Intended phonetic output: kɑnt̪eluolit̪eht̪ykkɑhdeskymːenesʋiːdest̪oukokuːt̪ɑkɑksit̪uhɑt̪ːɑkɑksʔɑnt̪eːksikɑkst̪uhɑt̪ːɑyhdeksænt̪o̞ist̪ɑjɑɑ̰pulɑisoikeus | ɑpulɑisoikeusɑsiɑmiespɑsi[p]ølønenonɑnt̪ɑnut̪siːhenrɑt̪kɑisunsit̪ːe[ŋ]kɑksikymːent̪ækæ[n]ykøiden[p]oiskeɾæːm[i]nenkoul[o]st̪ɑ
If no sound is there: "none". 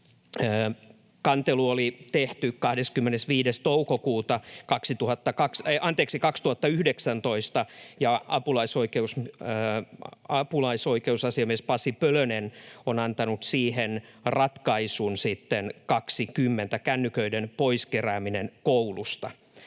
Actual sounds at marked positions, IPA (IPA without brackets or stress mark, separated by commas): p, n, nː, p, i, u